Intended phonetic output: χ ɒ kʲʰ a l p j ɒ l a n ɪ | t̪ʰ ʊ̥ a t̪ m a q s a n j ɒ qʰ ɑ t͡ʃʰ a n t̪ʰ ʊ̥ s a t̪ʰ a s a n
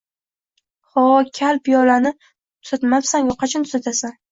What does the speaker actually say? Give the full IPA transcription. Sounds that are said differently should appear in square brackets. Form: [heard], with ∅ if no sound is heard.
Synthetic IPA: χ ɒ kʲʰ a l p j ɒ l a n ɪ | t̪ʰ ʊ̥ a t̪ m a [p] s a n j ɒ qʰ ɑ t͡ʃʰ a n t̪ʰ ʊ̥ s a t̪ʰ a s a n